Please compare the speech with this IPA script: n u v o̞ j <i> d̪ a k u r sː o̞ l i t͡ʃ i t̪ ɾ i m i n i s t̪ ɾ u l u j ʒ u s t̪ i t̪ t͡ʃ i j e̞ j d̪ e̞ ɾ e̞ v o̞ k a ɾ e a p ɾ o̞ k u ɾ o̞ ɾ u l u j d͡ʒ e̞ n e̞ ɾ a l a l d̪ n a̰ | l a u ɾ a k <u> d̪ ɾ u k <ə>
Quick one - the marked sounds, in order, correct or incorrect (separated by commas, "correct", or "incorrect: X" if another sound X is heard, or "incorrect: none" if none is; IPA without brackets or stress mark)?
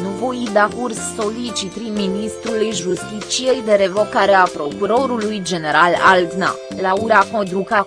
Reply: correct, incorrect: o, incorrect: a